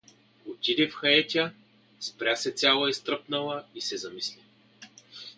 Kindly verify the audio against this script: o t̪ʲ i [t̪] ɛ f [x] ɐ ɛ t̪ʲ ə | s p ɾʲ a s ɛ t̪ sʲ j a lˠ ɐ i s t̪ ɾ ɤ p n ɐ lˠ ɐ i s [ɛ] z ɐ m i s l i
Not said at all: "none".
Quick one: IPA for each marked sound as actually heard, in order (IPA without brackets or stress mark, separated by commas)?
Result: d̪, x, ɛ